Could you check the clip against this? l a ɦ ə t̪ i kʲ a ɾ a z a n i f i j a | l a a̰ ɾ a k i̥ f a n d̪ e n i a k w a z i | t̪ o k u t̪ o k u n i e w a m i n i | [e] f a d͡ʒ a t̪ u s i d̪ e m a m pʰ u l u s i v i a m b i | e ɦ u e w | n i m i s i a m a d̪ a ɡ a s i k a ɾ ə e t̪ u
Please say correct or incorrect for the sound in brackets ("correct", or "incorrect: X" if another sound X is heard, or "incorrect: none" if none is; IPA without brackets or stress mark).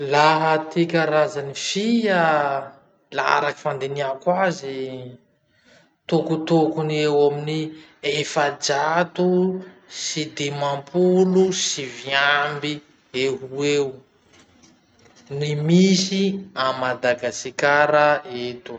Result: correct